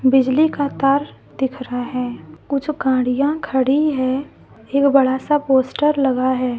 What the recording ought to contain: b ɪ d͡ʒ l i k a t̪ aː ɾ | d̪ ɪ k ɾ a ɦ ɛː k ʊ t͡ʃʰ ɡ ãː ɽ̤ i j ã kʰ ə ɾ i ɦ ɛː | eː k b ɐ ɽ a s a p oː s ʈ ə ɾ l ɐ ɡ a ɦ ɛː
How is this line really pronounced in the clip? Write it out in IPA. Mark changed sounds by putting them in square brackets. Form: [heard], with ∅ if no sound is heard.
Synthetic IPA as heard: b ɪ d͡ʒ l i k a t̪ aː ɾ | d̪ ɪ [kʰ] ɾ a ɦ ɛː k ʊ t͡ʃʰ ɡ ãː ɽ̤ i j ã kʰ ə [ɽ] i ɦ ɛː | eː k b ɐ ɽ a s a p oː s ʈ ə ɾ l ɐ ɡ a ɦ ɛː